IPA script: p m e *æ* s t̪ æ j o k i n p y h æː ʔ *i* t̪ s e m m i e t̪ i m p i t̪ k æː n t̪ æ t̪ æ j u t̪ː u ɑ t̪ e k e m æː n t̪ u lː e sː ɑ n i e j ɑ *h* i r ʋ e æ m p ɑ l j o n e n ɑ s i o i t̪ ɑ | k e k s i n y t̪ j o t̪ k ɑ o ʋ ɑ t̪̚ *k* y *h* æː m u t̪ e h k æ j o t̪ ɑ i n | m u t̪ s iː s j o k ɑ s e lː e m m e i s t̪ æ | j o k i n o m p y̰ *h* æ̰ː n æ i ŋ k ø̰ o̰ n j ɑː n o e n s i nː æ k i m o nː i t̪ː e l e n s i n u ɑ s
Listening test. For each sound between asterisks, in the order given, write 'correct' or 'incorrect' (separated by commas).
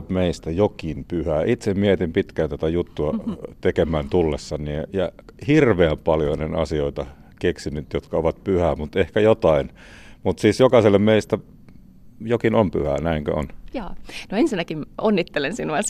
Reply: incorrect, correct, correct, incorrect, correct, correct